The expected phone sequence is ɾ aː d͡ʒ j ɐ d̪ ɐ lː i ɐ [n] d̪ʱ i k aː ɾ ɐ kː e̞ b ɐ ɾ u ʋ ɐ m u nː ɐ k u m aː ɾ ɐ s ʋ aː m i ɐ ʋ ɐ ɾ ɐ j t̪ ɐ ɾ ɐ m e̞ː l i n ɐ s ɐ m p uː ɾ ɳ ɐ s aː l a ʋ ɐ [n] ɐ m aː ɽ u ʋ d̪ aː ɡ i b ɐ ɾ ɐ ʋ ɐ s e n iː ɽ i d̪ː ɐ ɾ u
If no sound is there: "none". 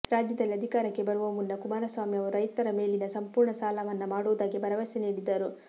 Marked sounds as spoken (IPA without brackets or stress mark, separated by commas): none, nː